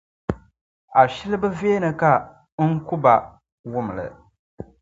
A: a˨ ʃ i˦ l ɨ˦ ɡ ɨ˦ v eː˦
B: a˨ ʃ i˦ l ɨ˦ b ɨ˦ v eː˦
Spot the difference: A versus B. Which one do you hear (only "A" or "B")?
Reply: B